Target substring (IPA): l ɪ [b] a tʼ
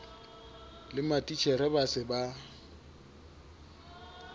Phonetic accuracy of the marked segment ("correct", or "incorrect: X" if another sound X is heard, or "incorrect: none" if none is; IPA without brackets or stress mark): incorrect: m